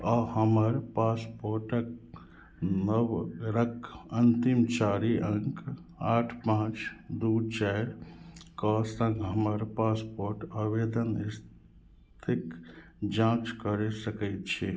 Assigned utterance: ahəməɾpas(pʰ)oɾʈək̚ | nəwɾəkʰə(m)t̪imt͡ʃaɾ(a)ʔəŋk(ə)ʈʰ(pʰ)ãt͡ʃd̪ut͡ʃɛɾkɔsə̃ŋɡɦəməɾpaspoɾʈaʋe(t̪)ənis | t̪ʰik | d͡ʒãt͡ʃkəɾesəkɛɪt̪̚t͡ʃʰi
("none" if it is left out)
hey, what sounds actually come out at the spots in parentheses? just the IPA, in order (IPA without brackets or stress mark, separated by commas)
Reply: p, n, i, a, p, d̪